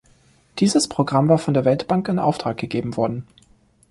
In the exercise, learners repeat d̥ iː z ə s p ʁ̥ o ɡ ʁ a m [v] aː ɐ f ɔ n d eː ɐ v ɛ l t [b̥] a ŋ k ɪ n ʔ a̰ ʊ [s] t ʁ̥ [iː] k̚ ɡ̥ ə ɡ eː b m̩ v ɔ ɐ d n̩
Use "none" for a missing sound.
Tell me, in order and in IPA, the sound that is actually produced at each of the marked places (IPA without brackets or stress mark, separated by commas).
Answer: v, b̥, f, aː